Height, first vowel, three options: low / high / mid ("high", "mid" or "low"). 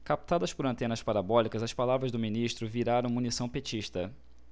low